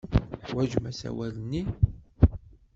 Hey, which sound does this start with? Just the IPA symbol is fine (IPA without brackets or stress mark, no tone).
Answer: ħ